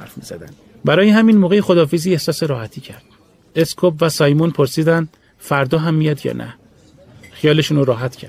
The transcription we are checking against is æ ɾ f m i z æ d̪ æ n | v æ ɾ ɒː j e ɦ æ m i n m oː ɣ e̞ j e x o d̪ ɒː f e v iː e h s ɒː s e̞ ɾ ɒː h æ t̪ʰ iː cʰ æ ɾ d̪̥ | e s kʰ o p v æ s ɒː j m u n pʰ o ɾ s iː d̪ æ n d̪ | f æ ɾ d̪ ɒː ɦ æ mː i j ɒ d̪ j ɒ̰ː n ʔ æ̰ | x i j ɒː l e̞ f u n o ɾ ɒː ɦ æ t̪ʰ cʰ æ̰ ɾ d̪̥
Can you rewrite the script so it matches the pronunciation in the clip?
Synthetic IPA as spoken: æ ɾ f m i z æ d̪ æ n | b æ ɾ ɒː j e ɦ æ m i n m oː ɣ e̞ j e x o d̪ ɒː f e z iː e h s ɒː s e̞ ɾ ɒː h æ t̪ʰ iː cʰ æ ɾ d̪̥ | e s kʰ o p v æ s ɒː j m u n pʰ o ɾ s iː d̪ æ n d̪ | f æ ɾ d̪ ɒː ɦ æ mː i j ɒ d̪ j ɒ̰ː n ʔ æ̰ | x i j ɒː l e̞ ʃ u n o ɾ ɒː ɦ æ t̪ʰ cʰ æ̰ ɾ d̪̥